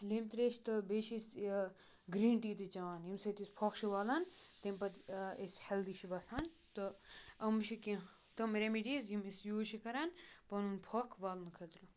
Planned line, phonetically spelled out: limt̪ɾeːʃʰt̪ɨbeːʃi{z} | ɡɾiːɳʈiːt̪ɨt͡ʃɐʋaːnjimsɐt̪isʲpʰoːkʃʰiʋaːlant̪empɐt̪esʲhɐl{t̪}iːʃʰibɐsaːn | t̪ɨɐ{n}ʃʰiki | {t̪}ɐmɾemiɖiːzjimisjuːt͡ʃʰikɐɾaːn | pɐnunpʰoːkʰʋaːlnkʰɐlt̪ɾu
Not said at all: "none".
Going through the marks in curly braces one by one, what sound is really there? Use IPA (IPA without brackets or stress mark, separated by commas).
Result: s, d̪, m, t̪